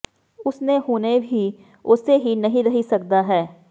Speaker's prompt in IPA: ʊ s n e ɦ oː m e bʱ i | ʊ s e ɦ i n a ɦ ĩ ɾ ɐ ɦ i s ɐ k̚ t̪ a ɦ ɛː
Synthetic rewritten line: ʊ s n e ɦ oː n e bʱ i | ʊ s e ɦ i n ɐ ɦ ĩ ɾ ɐ ɦ i s ɐ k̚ d̪ a ɦ ɛː